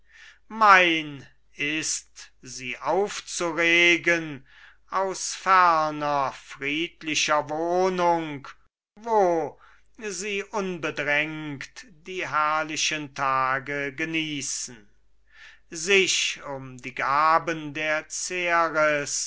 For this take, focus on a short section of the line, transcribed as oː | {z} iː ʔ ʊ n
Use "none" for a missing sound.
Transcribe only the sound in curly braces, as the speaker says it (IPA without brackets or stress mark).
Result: z